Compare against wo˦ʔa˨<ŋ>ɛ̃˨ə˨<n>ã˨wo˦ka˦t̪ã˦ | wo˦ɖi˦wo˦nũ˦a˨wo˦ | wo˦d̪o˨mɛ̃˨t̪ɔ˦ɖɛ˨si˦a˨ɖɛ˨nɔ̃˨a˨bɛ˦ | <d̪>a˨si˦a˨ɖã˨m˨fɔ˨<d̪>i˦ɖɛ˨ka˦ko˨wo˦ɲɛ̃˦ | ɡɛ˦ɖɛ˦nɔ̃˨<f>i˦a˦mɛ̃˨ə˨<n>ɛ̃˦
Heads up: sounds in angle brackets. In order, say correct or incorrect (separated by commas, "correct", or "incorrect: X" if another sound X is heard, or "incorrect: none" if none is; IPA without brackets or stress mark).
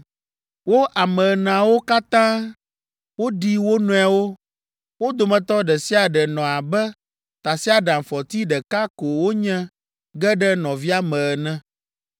incorrect: m, correct, incorrect: t̪, incorrect: t̪, incorrect: v, correct